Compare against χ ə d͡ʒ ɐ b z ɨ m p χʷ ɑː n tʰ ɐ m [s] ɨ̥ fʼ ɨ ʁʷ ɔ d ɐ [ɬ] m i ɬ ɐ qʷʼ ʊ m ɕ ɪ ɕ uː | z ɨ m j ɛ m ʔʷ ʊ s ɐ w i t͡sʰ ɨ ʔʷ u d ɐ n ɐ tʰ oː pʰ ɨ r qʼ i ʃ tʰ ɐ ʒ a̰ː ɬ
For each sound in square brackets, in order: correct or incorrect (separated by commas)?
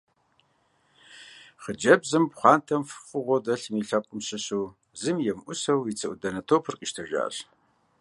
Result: incorrect, correct